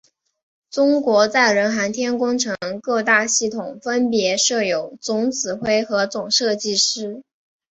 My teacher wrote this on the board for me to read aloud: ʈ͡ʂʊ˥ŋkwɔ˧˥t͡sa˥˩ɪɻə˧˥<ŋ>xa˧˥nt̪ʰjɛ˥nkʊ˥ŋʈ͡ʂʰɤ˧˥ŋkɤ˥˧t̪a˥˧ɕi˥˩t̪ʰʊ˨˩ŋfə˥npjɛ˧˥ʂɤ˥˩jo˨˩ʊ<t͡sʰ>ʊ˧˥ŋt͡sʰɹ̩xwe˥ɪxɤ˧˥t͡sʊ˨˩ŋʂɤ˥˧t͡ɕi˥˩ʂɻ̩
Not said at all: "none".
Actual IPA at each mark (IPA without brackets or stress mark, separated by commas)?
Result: n, t͡s